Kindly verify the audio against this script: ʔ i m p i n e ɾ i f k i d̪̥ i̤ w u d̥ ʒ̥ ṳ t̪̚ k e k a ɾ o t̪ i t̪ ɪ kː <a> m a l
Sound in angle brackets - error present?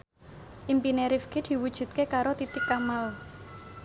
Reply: no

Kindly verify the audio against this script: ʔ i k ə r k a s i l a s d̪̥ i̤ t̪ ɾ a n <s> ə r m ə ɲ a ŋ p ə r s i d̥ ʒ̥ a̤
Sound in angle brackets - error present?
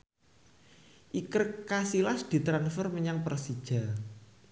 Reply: yes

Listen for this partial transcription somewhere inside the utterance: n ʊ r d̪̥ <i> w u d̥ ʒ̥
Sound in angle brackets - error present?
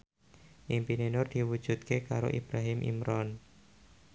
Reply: no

